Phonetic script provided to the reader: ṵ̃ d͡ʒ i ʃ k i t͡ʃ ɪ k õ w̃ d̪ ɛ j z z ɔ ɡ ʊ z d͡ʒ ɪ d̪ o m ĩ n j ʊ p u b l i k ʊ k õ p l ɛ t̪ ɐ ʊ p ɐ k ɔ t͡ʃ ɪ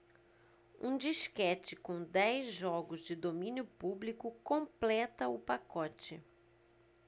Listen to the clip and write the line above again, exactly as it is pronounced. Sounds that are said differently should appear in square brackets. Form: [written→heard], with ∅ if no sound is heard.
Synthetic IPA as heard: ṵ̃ d͡ʒ i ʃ k [i→ɛ] t͡ʃ ɪ k õ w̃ d̪ ɛ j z [z→ʒ] ɔ ɡ ʊ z d͡ʒ ɪ d̪ o m ĩ n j ʊ p u b l i k ʊ k õ p l ɛ t̪ ɐ ʊ p [ɐ→a] k ɔ t͡ʃ ɪ